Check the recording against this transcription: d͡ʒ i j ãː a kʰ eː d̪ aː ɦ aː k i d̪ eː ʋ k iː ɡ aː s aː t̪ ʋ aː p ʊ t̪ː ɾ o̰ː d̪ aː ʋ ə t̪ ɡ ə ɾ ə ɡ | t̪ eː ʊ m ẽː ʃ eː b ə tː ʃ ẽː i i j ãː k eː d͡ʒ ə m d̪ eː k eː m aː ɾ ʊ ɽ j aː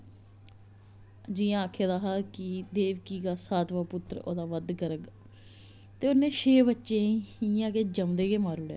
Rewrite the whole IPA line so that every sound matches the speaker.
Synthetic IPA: d͡ʒ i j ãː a kʰ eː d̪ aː ɦ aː k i d̪ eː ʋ k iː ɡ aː s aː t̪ ʋ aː p ʊ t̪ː ɾ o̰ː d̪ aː ʋ ə d̪ ɡ ə ɾ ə ɡ | t̪ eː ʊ n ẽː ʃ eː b ə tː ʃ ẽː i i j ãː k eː d͡ʒ ə m d̪ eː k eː m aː ɾ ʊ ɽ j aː